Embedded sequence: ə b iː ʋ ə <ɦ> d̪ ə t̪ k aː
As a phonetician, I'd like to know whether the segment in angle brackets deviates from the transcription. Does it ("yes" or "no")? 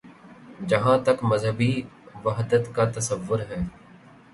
no